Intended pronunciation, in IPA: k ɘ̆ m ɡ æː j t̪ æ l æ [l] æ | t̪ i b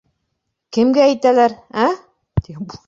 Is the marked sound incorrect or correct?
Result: incorrect